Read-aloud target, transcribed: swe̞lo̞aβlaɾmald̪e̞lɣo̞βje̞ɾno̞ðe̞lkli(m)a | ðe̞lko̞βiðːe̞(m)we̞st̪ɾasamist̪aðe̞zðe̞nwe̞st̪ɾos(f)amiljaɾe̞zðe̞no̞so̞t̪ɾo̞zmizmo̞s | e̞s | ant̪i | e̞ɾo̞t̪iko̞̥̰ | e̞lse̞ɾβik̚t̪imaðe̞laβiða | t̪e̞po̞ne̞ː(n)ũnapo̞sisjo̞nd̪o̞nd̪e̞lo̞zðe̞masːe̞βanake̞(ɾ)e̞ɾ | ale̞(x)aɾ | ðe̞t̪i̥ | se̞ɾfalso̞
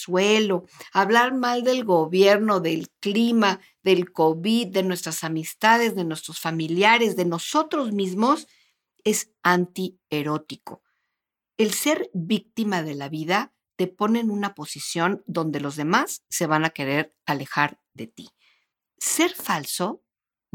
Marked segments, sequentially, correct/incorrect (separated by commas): correct, incorrect, correct, correct, correct, correct